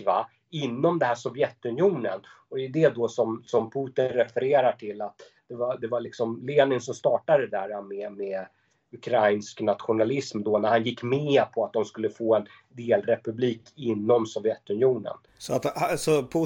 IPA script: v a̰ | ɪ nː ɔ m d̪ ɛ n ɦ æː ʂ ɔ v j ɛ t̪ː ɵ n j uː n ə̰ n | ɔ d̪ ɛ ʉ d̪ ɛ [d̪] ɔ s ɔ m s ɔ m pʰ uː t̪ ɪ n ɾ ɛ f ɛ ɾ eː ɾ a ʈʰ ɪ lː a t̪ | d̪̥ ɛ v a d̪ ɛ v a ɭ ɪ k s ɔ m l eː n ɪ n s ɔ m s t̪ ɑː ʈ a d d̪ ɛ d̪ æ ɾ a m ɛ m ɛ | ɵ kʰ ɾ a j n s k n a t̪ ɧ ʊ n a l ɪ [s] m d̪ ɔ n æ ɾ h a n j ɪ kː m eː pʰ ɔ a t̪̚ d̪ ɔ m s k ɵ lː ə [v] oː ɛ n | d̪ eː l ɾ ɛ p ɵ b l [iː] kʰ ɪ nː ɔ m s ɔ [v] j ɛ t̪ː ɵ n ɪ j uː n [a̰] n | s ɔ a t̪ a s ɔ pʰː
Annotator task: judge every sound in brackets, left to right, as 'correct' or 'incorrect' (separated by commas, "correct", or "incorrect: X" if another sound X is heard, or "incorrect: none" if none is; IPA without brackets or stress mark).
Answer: correct, correct, incorrect: f, correct, correct, incorrect: ə̰